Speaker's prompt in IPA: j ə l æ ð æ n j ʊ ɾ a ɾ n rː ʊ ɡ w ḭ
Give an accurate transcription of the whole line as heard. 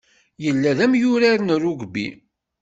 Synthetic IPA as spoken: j ə lː æ ð æ m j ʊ ɾ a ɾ n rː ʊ ɡ b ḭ